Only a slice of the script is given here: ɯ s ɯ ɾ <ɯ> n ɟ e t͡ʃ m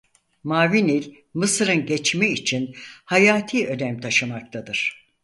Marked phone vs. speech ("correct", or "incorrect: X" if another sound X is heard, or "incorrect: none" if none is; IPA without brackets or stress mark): correct